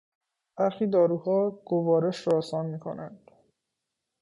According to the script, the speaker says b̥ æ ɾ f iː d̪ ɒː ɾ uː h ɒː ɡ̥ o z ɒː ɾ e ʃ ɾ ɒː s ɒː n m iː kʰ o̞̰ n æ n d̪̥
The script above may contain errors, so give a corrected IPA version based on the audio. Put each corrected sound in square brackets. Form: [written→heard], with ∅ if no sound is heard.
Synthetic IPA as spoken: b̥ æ ɾ [f→x] iː d̪ ɒː ɾ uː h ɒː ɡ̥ o [z→v] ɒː ɾ e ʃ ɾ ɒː s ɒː n m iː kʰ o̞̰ n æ n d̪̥